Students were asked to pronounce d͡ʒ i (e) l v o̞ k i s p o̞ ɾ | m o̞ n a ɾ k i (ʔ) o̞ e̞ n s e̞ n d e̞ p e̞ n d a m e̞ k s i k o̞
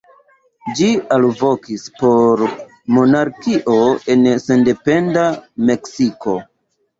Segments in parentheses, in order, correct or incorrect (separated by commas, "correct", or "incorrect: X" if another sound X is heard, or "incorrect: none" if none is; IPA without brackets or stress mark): incorrect: a, correct